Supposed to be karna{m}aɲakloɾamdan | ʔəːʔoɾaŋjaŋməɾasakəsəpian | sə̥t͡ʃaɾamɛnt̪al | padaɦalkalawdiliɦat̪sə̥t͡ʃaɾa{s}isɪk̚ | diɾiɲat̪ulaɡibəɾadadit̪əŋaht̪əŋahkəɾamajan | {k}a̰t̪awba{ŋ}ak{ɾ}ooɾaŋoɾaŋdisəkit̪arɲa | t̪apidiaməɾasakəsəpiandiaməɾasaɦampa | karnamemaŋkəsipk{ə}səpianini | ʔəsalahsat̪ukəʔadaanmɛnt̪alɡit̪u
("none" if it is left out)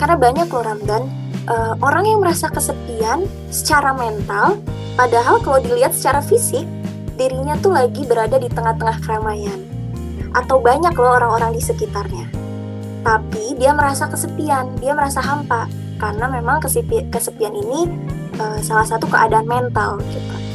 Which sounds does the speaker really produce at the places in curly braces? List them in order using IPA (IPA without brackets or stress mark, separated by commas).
b, f, ʔ, ɲ, l, ə